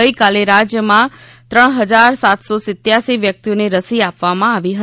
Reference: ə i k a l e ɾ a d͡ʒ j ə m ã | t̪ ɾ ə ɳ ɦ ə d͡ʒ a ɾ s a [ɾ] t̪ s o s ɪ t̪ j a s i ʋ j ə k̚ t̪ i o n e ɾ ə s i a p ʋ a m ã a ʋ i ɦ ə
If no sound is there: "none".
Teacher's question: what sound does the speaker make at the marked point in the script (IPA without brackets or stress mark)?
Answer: none